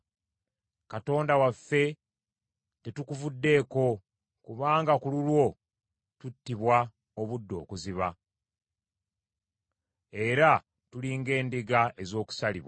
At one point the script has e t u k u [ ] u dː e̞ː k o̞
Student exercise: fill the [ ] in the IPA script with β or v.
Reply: v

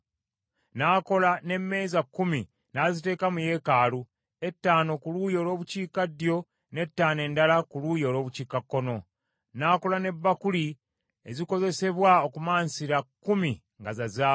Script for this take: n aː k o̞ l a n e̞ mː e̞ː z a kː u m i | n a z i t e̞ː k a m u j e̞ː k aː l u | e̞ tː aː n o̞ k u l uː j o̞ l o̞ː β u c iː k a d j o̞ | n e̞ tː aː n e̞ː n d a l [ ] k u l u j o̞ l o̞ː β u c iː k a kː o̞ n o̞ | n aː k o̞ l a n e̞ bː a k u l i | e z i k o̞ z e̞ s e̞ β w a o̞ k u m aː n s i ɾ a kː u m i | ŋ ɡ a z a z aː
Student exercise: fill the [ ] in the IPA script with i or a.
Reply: a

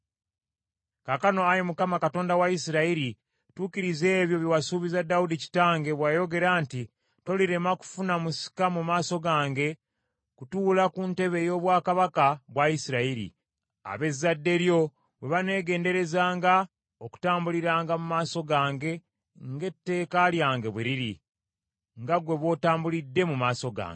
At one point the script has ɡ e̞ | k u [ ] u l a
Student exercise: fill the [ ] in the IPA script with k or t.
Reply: t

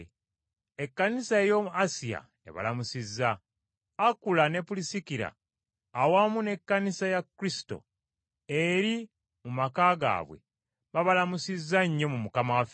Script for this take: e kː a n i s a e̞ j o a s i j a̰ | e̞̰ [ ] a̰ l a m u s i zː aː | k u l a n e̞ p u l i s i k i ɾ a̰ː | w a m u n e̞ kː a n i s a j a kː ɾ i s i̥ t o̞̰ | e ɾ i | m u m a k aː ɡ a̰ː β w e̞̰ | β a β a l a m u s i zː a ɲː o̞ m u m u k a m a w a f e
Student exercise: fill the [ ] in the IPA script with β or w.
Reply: β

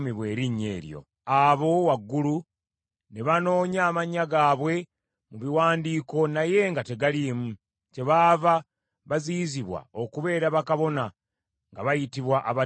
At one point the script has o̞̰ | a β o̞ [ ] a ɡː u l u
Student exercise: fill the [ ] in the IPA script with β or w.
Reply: w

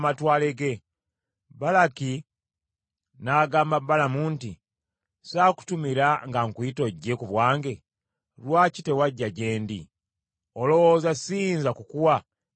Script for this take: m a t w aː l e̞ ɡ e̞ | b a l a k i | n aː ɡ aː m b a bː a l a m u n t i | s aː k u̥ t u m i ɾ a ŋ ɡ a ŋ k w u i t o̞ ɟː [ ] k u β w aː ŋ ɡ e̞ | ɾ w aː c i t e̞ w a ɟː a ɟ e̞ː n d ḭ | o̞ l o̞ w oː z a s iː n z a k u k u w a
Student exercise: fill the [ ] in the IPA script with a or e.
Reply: e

